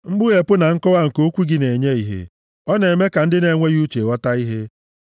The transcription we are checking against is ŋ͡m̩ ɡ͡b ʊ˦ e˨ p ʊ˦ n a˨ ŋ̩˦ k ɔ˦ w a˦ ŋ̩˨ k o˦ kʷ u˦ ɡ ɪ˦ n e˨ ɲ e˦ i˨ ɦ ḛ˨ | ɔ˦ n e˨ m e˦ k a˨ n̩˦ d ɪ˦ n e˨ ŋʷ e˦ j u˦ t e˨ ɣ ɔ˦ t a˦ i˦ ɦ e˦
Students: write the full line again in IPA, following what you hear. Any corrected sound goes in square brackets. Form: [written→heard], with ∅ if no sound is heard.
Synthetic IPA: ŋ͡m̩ ɡ͡b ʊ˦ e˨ p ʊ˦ n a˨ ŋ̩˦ k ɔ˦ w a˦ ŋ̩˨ k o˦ kʷ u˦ ɡ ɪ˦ n e˨ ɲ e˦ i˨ ɦ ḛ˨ | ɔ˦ n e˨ m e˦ k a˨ n̩˦ d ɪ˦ n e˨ ŋʷ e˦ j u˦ [t→t͡ʃ] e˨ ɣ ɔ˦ t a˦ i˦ ɦ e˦